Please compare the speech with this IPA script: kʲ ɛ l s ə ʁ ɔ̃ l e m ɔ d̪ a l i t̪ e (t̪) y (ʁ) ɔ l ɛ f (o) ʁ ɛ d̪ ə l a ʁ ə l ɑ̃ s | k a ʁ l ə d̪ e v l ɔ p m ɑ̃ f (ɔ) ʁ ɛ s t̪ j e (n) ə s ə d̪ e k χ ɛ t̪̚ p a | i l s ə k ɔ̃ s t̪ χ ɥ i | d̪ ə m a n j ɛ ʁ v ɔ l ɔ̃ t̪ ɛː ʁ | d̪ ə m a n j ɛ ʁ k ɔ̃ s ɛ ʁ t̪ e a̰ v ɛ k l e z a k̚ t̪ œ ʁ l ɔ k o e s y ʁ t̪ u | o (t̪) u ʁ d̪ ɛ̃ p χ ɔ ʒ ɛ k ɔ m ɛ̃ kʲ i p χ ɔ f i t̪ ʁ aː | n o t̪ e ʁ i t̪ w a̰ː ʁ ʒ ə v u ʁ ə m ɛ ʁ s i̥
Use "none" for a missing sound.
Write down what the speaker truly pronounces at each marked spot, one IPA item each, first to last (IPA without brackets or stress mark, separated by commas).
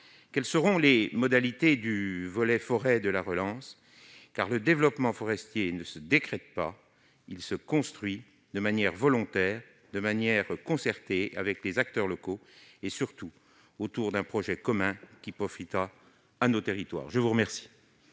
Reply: d̪, v, ɔ, ɔ, n, t̪